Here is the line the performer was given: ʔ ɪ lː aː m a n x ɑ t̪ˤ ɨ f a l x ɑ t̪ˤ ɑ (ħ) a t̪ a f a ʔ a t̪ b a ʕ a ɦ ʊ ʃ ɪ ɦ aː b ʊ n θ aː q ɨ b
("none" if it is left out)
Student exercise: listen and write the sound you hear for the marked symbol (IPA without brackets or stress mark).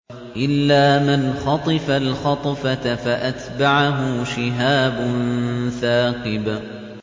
f